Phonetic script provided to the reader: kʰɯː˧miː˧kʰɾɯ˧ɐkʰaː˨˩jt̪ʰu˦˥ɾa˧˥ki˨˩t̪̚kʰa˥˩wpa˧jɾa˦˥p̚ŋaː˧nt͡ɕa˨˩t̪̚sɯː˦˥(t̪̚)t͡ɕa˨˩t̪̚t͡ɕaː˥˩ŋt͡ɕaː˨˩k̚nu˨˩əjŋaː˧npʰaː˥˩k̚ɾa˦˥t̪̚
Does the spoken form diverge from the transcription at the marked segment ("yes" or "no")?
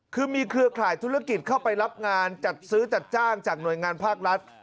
yes